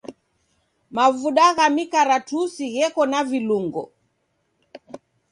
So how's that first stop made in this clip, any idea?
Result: implosive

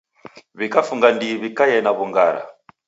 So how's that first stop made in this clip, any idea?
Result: plain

